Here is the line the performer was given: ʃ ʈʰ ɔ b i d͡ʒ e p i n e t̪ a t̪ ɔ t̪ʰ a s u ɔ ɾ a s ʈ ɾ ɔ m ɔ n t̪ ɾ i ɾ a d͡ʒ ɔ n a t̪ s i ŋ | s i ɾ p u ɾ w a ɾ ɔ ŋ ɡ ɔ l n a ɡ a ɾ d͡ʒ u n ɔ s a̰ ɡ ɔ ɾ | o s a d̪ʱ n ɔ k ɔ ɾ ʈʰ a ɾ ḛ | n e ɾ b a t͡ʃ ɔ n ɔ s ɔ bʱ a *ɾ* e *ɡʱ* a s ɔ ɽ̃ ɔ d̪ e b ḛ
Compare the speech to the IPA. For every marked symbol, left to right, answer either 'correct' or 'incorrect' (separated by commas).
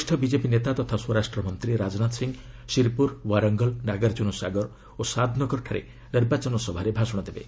correct, incorrect